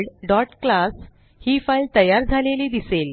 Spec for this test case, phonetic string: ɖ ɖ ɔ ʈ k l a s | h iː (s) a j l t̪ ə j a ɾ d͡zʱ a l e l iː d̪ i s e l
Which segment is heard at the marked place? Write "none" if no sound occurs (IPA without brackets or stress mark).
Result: f